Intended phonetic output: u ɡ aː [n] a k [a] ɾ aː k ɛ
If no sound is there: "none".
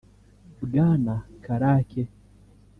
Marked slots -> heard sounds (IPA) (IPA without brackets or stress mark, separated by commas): n, a